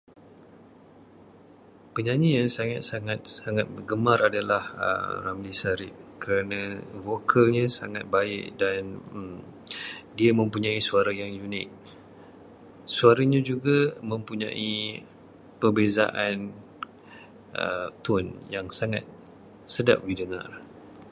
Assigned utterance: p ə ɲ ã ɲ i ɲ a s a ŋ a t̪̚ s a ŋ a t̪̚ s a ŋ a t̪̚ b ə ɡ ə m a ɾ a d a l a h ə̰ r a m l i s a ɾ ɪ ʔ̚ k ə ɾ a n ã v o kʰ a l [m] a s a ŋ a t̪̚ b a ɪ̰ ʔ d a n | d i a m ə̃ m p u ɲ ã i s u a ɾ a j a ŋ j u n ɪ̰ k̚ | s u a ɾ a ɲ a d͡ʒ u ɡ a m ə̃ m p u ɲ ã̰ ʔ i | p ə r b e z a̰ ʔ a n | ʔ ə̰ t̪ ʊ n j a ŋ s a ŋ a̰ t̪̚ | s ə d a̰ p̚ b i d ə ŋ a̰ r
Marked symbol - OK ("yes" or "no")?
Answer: no